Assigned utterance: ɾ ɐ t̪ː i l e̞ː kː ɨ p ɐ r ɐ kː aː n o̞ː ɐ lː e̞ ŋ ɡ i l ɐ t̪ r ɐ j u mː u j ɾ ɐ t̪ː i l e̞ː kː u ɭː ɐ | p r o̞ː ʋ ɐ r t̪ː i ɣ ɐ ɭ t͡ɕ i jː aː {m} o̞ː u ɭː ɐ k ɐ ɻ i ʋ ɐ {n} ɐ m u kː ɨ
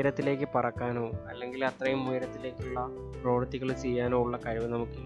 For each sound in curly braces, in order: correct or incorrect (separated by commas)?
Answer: incorrect, correct